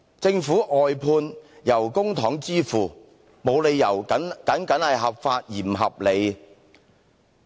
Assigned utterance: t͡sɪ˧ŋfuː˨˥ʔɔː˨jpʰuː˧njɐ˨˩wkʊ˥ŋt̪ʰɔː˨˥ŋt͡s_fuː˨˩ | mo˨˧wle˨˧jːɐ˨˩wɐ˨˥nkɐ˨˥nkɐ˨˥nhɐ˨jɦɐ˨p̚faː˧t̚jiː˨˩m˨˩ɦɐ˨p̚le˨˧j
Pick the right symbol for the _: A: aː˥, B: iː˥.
B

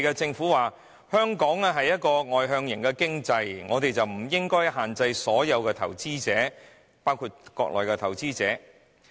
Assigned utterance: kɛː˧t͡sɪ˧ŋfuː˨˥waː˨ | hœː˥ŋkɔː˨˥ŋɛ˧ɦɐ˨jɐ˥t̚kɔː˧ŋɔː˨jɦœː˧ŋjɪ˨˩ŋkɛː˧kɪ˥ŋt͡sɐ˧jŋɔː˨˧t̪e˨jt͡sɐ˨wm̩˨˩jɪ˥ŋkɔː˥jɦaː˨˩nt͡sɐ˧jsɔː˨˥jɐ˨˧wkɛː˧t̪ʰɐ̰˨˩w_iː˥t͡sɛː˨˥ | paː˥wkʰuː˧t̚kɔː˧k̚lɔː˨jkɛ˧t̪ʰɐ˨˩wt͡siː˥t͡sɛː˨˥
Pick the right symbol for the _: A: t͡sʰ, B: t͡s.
B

